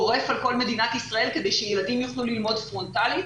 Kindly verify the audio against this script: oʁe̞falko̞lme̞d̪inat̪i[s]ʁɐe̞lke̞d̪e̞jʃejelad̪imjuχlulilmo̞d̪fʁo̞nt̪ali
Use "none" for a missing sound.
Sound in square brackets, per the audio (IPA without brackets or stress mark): s